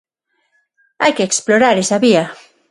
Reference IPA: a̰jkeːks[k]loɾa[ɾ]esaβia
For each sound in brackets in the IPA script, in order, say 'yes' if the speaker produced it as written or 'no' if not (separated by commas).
no, yes